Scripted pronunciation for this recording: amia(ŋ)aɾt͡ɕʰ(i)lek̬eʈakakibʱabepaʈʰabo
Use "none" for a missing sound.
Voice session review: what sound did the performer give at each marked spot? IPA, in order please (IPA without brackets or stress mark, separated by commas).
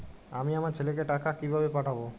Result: m, e